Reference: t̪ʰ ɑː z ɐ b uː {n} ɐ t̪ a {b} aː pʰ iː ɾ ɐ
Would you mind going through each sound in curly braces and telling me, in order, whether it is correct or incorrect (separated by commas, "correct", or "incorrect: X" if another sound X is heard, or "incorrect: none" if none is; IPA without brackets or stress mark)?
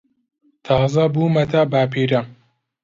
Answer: incorrect: m, correct